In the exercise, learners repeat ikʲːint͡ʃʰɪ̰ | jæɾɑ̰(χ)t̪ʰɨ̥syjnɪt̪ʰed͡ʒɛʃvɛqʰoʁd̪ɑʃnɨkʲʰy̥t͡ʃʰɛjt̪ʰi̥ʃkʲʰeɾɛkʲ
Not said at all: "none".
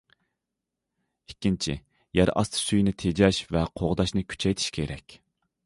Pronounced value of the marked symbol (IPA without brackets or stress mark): s